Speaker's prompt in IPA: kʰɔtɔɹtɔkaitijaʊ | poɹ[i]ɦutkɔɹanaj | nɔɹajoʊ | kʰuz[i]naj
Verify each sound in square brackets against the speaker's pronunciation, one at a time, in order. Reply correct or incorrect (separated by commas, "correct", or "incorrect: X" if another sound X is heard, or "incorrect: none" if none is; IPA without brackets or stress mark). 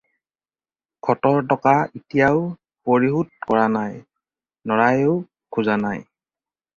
correct, incorrect: a